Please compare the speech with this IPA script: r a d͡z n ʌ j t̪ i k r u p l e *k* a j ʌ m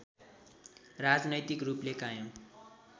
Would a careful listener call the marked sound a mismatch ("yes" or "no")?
no